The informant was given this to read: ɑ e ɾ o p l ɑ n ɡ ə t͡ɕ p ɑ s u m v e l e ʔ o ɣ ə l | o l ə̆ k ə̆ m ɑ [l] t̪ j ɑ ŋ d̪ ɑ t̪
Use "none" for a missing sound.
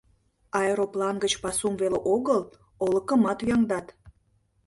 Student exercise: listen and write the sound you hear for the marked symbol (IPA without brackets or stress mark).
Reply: none